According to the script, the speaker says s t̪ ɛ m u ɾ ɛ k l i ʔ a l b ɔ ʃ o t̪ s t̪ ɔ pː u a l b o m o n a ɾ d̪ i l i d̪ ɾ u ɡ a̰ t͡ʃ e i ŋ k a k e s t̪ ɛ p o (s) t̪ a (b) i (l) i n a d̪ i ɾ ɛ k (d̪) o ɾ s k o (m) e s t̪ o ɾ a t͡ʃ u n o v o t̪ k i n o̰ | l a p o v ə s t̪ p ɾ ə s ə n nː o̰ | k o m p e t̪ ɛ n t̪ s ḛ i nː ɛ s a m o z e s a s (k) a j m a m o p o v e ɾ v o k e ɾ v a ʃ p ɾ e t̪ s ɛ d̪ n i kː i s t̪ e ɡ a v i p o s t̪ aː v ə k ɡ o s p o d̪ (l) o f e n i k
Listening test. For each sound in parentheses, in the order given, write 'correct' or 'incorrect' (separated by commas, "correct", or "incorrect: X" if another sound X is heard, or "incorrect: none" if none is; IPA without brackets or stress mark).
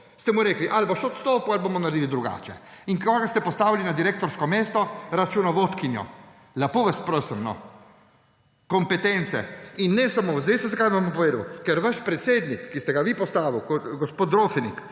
correct, incorrect: v, correct, incorrect: t̪, correct, correct, incorrect: ɾ